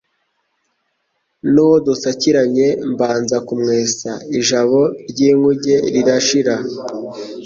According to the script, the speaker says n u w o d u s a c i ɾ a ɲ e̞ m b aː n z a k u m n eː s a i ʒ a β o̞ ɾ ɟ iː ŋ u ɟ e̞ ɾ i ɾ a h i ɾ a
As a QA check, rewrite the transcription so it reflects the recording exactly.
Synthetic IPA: n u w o d u s a c i ɾ a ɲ e̞ m b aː n z a k u m ŋ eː s a i ʒ a β o̞ ɾ ɟ iː ŋ u ɟ e̞ ɾ i ɾ a ʃ i ɾ a